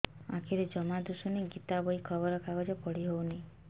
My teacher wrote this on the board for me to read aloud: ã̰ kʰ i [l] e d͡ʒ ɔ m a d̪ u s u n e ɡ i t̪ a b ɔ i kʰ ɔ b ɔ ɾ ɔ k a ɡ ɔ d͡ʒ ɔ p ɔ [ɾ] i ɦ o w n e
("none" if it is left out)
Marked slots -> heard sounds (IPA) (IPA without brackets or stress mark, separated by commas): ɾ, ɽ